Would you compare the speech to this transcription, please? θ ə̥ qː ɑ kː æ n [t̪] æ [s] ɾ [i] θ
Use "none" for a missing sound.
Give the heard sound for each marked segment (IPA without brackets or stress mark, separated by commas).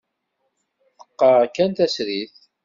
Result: t̪, s, i